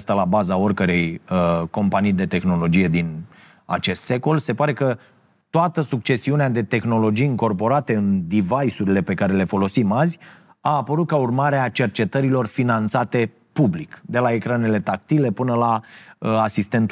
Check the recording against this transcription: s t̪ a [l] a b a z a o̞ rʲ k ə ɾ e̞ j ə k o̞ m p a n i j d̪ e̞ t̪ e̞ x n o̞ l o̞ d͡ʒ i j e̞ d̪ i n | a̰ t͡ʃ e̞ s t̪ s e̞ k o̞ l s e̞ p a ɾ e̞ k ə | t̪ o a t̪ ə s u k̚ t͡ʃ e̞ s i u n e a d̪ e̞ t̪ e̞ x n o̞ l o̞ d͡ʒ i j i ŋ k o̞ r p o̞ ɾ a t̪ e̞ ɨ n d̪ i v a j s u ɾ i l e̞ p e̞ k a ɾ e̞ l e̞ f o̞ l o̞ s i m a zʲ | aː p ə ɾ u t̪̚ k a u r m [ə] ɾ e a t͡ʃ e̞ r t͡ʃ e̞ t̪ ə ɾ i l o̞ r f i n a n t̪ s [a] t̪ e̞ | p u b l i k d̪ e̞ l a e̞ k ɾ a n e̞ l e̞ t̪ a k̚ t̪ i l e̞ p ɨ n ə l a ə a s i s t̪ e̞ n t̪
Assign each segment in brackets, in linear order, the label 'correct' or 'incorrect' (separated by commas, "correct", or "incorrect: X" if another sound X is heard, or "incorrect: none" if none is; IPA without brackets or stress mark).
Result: correct, incorrect: a, correct